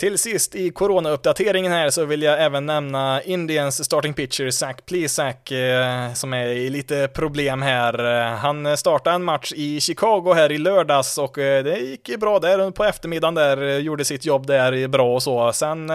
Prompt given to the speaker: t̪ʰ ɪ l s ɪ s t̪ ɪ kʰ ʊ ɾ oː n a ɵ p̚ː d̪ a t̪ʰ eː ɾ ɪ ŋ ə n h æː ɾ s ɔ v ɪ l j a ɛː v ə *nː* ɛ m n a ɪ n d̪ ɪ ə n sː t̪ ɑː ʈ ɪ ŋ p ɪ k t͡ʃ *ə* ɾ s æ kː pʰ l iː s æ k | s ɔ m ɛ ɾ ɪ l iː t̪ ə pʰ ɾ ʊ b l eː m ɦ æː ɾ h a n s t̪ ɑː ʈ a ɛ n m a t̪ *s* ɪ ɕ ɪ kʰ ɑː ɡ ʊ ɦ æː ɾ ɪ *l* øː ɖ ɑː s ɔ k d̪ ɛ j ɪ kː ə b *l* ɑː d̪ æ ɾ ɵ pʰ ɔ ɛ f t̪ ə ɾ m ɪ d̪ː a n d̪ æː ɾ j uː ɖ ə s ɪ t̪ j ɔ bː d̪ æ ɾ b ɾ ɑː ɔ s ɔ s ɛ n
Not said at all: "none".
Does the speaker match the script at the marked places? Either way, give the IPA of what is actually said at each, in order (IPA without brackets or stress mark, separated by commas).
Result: nː, ə, ʂ, l, ɾ